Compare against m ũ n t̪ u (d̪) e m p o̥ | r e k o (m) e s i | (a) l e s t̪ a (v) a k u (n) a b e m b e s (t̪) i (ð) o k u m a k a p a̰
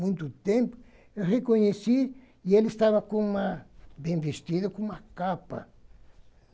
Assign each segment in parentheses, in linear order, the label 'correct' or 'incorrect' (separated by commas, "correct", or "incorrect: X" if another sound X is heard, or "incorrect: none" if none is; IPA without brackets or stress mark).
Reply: incorrect: t̪, incorrect: ɲ, incorrect: e, incorrect: β, incorrect: m, correct, correct